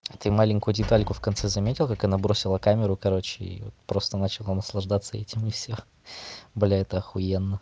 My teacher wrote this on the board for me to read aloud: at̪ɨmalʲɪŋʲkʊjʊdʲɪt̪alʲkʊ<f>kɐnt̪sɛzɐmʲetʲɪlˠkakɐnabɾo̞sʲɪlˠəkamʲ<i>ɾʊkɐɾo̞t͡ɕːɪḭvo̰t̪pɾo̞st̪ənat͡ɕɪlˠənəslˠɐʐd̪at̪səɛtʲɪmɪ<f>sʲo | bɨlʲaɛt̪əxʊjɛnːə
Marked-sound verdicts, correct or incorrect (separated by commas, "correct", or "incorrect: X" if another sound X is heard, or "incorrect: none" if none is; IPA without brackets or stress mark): correct, incorrect: ɪ, correct